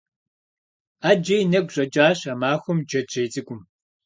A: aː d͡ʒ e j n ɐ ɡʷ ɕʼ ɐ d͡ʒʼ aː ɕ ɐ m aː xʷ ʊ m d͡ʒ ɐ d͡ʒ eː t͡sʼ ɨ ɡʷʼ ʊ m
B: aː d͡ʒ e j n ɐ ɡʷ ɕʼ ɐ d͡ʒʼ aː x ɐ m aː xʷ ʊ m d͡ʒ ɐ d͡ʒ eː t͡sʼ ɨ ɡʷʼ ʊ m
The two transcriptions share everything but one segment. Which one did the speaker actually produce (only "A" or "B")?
A